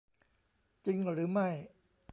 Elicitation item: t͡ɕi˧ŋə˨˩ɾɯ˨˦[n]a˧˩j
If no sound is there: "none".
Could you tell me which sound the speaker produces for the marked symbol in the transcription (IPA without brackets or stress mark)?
m